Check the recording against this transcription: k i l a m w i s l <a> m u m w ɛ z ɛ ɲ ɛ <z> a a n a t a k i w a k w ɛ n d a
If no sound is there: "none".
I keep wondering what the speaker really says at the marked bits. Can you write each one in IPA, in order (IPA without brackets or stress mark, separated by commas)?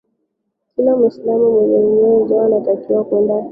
a, z